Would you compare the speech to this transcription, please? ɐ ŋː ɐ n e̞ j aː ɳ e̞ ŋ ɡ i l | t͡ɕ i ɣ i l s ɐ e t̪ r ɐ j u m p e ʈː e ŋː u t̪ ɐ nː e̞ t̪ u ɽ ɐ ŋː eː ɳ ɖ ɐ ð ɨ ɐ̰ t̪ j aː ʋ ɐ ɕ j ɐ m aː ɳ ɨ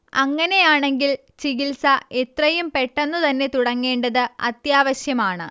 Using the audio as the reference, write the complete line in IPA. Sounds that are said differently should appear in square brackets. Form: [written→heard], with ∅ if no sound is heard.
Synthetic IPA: ɐ ŋː ɐ n e̞ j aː ɳ e̞ ŋ ɡ i l | t͡ɕ i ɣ i l s ɐ e t̪ r ɐ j u m p e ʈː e [ŋː→nː] u t̪ ɐ nː e̞ t̪ u ɽ ɐ ŋː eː ɳ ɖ ɐ ð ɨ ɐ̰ t̪ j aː ʋ ɐ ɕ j ɐ m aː ɳ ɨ